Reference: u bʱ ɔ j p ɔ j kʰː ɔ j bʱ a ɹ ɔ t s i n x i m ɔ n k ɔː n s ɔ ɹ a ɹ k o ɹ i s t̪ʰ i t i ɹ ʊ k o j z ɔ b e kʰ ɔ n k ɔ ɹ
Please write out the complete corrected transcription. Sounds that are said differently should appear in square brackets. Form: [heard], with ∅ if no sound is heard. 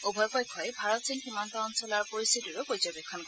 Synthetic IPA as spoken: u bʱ ɔ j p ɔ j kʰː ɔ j bʱ a ɹ ɔ t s i n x i m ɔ n [t] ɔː n s ɔ [l] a ɹ [p] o ɹ i s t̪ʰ i t i ɹ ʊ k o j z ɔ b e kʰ ɔ n k ɔ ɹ

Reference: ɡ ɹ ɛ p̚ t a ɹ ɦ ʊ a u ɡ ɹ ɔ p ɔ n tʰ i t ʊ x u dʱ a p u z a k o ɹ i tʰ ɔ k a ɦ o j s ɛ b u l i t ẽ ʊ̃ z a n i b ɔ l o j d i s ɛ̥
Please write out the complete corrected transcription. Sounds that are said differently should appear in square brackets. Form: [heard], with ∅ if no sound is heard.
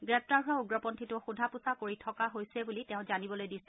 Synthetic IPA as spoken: ɡ ɹ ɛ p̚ t a ɹ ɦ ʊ a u ɡ ɹ ɔ p ɔ n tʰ i t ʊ x u dʱ a p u [s] a k o ɹ i tʰ ɔ k a ɦ o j s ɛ b u l i t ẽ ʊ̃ z a n i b ɔ l o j d i s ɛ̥

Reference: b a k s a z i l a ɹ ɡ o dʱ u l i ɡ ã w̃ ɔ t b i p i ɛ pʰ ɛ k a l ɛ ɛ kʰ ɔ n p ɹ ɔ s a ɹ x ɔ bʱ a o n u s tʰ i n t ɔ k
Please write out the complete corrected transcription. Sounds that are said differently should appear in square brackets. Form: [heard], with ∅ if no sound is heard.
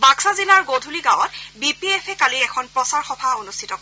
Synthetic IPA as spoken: b a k s a z i l a ɹ ɡ o dʱ u l i ɡ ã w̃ ɔ t b i p i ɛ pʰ ɛ k a l [i] ɛ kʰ ɔ n p ɹ ɔ s a ɹ x ɔ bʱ a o n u s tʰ i [∅] t ɔ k

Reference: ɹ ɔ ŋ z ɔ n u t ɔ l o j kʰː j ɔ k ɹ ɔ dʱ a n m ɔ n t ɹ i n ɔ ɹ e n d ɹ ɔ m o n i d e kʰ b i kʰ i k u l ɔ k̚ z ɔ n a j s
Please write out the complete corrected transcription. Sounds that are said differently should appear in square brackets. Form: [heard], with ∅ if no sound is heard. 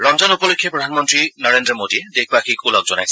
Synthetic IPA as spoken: ɹ ɔ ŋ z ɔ n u [p] ɔ l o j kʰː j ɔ [p] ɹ ɔ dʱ a n m ɔ n t ɹ i n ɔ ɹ e n d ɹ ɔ m o [d] i d e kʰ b [a] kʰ i k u l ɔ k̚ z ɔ n a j s

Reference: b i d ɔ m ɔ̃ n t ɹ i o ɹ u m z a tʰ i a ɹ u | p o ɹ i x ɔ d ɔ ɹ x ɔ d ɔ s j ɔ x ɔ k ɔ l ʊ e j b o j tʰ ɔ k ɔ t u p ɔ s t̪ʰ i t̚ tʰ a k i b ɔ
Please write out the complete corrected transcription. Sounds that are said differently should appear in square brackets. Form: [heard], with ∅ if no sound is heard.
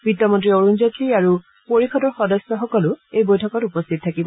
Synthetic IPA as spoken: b i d ɔ m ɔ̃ n t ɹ i o ɹ u [n] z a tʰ i a ɹ u | p o ɹ i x ɔ d ɔ ɹ x ɔ d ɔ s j ɔ x ɔ k ɔ l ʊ e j b o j tʰ ɔ k ɔ t u p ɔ s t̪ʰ i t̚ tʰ a k i b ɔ

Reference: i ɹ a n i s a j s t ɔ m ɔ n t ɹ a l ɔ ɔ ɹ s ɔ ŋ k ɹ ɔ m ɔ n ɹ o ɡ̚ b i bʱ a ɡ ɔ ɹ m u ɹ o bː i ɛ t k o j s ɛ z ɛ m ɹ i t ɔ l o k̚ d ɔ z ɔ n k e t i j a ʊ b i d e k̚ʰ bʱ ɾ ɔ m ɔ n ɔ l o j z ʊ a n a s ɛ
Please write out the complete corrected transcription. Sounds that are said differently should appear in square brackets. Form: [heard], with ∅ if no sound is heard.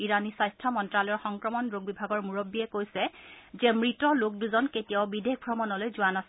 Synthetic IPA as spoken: i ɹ a n i s a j s [tʰ] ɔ m ɔ n t ɹ a l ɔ ɔ ɹ [x] ɔ ŋ k ɹ ɔ m ɔ n ɹ o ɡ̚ b i bʱ a ɡ ɔ ɹ m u ɹ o bː i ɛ [∅] k o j s ɛ z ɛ m ɹ i t ɔ l o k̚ d [u] z ɔ n k e t i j a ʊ b i d e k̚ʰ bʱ [ɹ] ɔ m ɔ n ɔ l o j z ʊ a n a s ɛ

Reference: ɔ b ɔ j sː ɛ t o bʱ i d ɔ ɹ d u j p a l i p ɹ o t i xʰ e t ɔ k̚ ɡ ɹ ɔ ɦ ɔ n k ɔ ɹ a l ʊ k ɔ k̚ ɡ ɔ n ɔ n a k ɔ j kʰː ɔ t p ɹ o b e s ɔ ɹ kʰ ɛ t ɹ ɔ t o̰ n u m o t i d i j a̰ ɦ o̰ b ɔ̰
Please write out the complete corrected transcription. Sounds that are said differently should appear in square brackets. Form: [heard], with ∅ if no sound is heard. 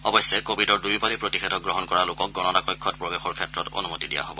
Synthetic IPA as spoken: ɔ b ɔ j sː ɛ [k] o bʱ i d ɔ ɹ d u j p a l i p ɹ o t i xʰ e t ɔ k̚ ɡ ɹ ɔ ɦ ɔ n k ɔ ɹ a l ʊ k ɔ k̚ ɡ ɔ n ɔ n a k ɔ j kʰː ɔ t p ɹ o b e [x] ɔ ɹ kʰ ɛ t ɹ ɔ t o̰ n u m o t i d i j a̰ ɦ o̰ b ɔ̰

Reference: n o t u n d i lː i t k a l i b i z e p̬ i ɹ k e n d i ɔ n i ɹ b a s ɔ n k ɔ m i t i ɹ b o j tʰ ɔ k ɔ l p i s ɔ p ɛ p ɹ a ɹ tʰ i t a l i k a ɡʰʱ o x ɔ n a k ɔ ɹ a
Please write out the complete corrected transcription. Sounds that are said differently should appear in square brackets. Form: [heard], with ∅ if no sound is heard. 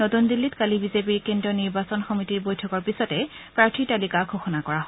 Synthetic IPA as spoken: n o t u n d i lː i t k a l i b i z e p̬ i ɹ k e n d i ɔ n i ɹ b a s ɔ n [x] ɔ m i t i ɹ b o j tʰ ɔ k ɔ [ɹ] p i s ɔ [t] ɛ p ɹ a ɹ tʰ i t a l i k a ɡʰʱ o x ɔ n a k ɔ ɹ a

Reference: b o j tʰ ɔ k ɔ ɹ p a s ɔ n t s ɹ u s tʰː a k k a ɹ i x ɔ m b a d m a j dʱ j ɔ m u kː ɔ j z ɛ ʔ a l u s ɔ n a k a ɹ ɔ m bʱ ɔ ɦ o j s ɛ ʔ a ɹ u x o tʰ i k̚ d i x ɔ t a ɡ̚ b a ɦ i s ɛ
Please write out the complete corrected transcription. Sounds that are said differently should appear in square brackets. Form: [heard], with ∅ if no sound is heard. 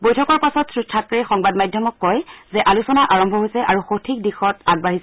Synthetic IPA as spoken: b o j tʰ ɔ k ɔ ɹ p a s ɔ [∅] t s ɹ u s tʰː a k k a ɹ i x ɔ [ŋ] b a d m a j dʱ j ɔ m [ɔ] kː ɔ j z ɛ ʔ a l u s ɔ n a [ʔ] a ɹ ɔ m bʱ ɔ ɦ o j s ɛ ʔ a ɹ u x o tʰ i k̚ d i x ɔ t a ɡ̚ b a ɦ i s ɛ

